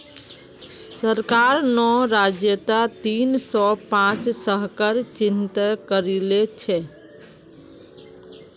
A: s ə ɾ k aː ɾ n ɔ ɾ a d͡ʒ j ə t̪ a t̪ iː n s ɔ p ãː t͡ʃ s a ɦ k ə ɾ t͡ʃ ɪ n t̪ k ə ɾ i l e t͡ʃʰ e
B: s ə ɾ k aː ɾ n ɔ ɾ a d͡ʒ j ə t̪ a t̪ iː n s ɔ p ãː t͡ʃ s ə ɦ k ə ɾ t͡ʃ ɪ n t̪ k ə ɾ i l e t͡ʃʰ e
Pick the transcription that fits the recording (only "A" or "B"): B